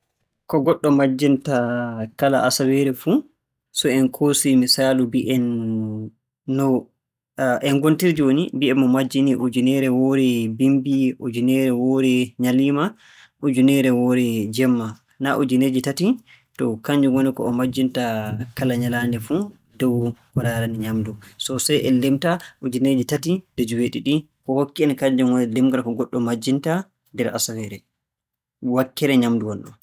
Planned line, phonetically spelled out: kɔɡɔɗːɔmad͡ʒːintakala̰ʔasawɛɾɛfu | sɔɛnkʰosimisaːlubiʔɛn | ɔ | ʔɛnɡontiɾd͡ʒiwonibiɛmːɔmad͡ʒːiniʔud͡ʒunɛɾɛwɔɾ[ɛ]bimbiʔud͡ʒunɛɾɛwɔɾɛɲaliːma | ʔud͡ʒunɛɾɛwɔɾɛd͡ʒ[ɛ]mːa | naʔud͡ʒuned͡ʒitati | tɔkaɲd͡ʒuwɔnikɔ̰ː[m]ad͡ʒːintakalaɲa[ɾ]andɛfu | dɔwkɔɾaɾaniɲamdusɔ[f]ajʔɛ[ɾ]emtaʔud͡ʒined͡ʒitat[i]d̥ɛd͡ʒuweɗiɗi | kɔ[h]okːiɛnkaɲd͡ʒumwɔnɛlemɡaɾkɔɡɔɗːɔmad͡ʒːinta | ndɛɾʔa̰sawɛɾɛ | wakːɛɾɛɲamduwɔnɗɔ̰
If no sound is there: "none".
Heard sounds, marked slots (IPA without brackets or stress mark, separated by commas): ɛ, ɛ, m, l, s, l, i, h